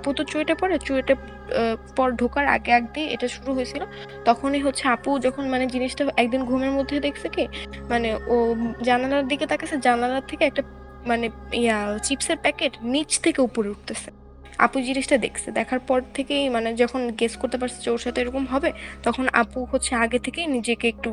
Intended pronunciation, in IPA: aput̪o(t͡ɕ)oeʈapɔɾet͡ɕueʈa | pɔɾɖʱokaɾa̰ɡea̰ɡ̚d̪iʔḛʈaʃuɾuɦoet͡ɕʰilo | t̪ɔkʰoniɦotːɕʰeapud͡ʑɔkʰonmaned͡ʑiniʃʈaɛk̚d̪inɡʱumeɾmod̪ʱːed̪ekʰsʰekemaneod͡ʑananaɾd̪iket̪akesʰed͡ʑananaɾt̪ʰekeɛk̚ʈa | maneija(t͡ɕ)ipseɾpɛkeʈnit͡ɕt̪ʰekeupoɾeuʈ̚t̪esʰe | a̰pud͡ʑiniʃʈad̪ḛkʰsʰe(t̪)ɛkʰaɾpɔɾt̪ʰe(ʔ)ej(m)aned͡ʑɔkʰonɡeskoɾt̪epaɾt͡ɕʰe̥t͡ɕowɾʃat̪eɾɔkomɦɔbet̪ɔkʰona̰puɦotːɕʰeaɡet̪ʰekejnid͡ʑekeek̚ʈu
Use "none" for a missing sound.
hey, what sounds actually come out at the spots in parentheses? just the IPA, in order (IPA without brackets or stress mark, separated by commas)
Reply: t͡ɕ, t͡ɕ, d̪, k, m